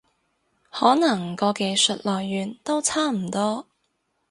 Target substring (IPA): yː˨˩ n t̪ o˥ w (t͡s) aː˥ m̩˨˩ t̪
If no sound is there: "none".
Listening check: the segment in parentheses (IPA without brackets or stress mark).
t͡sʰ